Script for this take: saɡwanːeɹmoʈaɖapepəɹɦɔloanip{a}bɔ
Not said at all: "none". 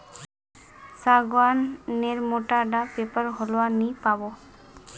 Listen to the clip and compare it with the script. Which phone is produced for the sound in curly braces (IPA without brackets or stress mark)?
a